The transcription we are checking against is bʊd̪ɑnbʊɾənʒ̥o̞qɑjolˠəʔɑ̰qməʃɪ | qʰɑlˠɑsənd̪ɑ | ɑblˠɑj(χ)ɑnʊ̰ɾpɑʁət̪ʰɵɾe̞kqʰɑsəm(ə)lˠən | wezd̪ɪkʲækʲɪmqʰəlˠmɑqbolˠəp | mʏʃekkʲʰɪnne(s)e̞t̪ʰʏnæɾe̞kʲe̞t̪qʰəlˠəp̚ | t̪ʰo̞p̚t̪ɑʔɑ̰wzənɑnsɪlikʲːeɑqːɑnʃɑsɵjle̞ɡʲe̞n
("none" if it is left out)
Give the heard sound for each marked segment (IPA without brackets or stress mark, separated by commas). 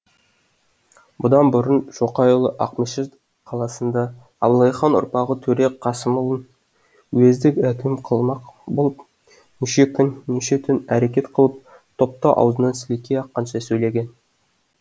χ, ə, ʃ